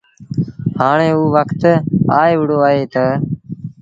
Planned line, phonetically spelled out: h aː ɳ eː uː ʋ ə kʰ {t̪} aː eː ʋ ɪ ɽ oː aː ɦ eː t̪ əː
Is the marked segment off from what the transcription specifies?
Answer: no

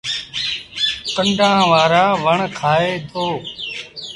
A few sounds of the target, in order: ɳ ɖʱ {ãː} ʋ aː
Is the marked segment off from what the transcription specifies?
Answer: no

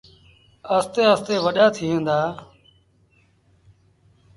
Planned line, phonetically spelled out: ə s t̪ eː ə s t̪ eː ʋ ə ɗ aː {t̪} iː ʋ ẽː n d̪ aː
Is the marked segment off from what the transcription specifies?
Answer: yes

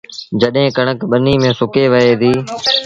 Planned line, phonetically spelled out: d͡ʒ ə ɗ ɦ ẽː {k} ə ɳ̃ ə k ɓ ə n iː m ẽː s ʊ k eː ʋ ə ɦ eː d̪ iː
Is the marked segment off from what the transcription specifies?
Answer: no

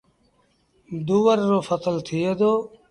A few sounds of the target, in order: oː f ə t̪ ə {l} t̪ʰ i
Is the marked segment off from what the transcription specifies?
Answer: no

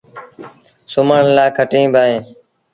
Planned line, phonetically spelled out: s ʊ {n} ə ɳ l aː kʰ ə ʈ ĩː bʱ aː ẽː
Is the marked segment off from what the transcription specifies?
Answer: yes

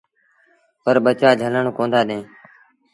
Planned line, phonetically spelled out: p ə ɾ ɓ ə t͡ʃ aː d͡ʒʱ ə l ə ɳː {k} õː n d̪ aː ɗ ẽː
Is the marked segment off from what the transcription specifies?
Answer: no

